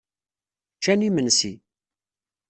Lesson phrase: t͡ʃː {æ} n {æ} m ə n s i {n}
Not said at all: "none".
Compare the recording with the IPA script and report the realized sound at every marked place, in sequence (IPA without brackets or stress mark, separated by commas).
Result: æ, i, none